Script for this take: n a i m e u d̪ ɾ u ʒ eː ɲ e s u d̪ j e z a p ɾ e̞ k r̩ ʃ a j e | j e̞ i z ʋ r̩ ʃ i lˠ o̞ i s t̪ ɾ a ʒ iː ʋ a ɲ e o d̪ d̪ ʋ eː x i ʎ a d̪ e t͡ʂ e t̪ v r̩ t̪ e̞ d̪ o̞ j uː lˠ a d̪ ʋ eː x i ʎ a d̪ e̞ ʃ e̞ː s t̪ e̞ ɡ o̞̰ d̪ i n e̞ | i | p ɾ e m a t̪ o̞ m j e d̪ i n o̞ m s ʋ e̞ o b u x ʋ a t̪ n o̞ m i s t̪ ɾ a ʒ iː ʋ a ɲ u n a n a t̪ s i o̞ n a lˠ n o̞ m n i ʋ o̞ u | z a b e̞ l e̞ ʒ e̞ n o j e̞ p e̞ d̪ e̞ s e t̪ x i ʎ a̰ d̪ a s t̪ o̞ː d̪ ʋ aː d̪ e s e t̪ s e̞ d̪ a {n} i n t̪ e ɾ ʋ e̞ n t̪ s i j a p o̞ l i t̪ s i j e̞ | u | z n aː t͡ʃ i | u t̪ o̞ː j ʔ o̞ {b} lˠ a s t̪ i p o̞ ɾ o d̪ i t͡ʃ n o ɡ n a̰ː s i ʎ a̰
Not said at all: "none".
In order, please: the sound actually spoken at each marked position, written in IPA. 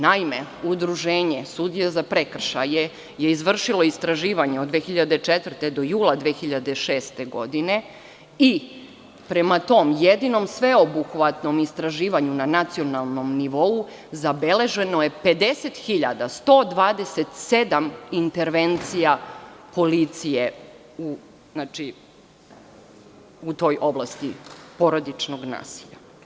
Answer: m, b

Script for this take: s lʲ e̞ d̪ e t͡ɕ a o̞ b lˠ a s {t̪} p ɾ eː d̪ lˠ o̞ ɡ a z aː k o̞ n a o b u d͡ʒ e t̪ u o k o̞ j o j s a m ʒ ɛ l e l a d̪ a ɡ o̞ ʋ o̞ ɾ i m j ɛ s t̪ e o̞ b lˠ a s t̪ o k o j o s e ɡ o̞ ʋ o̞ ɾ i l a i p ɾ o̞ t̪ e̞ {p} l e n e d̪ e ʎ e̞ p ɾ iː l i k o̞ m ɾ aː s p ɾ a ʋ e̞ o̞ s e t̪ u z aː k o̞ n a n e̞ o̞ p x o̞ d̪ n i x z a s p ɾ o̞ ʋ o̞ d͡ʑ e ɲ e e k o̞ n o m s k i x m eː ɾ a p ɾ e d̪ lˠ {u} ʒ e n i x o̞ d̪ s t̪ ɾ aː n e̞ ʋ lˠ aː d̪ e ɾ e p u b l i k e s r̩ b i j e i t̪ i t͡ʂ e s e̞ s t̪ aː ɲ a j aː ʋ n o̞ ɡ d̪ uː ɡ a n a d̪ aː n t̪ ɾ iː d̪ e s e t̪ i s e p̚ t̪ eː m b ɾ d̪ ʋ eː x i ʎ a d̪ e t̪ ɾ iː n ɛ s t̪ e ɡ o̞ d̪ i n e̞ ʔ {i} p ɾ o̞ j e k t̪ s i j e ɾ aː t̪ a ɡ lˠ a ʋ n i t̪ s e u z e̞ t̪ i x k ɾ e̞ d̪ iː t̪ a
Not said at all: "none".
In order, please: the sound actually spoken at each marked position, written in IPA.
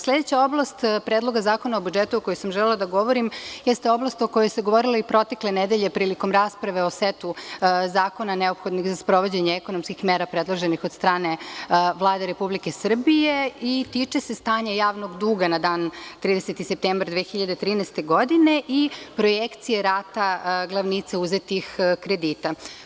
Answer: t̪, k, o, i

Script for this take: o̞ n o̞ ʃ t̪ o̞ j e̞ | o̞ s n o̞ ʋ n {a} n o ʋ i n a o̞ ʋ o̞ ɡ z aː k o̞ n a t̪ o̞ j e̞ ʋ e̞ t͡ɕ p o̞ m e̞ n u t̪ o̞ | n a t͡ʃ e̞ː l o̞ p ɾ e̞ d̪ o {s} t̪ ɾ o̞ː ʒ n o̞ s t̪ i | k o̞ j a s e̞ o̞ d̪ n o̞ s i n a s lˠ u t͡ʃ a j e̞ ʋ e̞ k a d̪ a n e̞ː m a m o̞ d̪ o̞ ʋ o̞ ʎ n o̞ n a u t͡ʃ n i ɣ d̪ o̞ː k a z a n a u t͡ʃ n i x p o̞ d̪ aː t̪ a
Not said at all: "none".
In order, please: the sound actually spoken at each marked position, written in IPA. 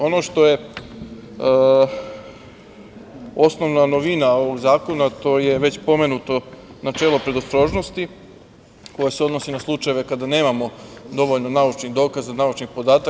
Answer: a, s

